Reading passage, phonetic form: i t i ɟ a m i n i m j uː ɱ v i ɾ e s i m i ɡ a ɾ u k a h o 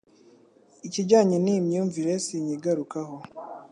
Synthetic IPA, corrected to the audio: i c i ɟ a ɲ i n i m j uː ɱ v i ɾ e s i ɲ i ɡ a ɾ u k a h o